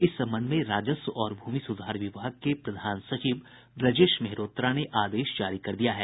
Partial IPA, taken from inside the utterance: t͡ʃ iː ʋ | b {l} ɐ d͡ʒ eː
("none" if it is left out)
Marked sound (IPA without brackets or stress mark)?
ɾ